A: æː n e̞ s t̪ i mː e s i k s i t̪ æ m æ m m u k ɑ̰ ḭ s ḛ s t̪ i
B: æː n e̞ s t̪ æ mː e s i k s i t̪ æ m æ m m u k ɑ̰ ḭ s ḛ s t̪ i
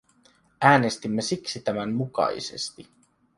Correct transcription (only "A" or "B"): A